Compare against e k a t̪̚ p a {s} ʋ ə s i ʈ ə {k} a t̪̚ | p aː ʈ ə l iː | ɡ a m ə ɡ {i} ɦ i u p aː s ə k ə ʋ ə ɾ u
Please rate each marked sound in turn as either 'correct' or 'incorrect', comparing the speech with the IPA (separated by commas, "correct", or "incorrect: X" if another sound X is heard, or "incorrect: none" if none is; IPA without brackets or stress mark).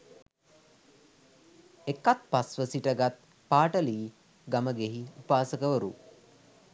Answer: correct, incorrect: ɡ, incorrect: e